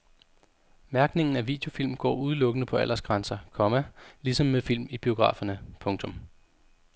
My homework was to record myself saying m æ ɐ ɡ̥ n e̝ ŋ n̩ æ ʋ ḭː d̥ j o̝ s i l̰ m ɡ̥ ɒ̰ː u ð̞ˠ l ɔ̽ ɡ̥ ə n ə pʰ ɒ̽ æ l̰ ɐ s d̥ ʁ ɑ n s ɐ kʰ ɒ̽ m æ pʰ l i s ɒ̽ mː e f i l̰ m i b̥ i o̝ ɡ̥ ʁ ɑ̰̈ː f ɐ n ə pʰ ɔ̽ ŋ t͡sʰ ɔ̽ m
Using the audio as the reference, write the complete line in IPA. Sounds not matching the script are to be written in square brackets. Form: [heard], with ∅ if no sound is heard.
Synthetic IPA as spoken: m æ ɐ ɡ̥ n e̝ ŋ n̩ æ ʋ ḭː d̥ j o̝ [f] i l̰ m ɡ̥ ɒ̰ː u ð̞ˠ l ɔ̽ ɡ̥ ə n ə pʰ ɒ̽ æ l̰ ɐ s [ɡ̥] ʁ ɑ n s ɐ kʰ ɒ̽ m æ [∅] l i s ɒ̽ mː e f i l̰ m i b̥ i o̝ ɡ̥ ʁ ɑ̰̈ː f ɐ n ə pʰ ɔ̽ ŋ t͡sʰ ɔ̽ m